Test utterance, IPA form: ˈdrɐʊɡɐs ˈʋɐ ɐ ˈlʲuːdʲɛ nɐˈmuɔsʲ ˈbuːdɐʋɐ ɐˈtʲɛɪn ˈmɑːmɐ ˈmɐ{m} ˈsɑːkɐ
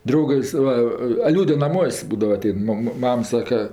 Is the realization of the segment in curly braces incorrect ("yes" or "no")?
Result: no